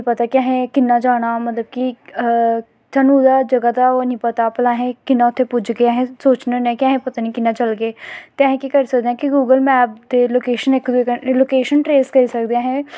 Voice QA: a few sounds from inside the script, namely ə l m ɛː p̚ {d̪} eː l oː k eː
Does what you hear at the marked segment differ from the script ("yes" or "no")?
no